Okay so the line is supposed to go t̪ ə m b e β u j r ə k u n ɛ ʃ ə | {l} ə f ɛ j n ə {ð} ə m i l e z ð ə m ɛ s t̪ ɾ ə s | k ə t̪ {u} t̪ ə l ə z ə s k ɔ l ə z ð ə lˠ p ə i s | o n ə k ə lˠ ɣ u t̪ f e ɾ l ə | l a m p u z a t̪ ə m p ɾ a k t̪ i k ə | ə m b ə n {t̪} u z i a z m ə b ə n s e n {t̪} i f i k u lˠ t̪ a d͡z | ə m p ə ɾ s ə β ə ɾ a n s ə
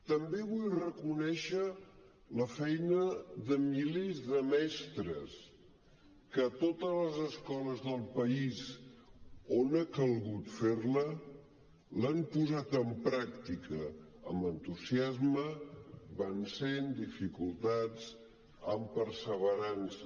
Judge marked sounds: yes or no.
yes, yes, no, yes, no

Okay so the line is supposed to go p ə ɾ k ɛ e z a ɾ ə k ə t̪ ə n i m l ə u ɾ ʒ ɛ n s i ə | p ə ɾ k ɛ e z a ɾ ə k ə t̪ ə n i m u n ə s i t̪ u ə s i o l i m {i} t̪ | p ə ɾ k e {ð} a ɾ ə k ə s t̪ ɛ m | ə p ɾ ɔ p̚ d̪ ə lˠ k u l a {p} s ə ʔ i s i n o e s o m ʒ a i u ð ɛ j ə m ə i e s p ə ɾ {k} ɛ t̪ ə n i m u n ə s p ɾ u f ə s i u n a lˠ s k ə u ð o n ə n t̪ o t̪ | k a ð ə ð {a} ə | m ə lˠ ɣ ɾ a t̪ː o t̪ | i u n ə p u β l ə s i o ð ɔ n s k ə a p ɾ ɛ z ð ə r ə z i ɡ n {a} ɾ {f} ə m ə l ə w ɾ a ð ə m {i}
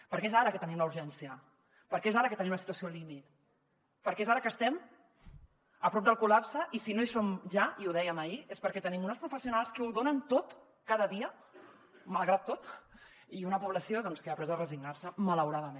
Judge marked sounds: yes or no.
yes, no, yes, yes, no, yes, no, no

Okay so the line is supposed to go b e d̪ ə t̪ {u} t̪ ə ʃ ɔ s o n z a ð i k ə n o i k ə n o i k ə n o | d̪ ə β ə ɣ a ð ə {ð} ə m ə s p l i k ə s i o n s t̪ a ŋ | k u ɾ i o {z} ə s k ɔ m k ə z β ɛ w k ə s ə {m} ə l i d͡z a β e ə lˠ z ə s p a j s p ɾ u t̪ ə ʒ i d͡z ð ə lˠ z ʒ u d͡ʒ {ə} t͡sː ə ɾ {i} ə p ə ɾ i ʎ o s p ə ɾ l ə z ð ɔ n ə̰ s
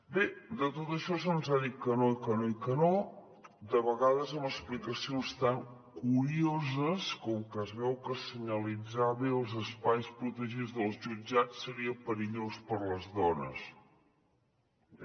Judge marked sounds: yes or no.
no, no, yes, no, no, yes

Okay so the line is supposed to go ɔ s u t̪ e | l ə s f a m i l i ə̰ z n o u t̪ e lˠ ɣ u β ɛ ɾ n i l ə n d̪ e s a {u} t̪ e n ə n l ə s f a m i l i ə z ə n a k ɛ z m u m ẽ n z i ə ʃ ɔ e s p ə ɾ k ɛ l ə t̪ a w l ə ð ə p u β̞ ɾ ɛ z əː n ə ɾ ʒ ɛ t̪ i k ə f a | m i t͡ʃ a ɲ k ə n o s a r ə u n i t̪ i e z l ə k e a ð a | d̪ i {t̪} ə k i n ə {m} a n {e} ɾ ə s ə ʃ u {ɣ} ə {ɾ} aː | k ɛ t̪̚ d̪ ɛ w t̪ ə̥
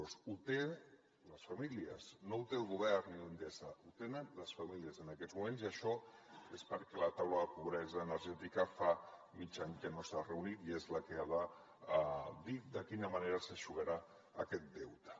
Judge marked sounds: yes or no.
yes, no, yes, yes, yes, yes

